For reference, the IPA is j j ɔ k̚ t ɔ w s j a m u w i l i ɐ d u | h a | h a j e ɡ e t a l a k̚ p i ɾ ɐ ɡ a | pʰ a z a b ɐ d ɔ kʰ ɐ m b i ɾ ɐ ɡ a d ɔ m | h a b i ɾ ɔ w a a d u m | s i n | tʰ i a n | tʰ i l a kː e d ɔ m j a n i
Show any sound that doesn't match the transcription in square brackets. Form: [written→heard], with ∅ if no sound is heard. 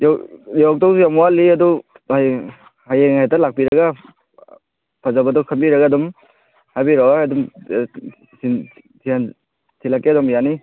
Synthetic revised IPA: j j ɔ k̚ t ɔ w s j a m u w [i→a] l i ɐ d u | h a | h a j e [ɡ→ŋ] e t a l a k̚ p i ɾ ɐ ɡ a | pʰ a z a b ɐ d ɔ kʰ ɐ m b i ɾ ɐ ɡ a d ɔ m | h a b i ɾ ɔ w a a d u m | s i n | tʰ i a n | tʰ i l a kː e d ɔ m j a n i